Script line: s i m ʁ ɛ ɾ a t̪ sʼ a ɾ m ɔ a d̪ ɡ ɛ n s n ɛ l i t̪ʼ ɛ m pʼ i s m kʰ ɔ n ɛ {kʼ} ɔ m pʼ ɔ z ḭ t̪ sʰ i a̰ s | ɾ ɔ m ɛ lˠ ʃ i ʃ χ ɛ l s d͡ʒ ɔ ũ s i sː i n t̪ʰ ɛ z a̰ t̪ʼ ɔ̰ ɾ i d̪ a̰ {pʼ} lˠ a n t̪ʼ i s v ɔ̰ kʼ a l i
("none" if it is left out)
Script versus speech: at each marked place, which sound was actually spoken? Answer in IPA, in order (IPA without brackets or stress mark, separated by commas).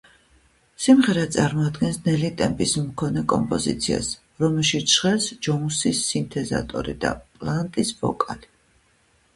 kʼ, pʼ